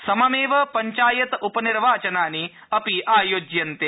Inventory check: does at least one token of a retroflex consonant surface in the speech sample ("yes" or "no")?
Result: no